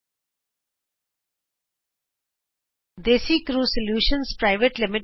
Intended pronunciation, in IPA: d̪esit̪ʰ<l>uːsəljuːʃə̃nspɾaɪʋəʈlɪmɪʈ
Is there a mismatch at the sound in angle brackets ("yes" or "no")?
yes